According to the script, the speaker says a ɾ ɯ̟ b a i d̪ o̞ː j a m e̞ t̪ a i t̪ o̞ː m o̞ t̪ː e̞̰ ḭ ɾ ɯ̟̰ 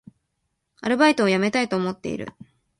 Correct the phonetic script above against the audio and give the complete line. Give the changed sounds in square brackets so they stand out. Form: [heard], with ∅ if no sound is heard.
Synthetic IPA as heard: a ɾ ɯ̟ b a i [t̪] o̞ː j a m e̞ t̪ a i t̪ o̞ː m o̞ t̪ː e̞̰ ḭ ɾ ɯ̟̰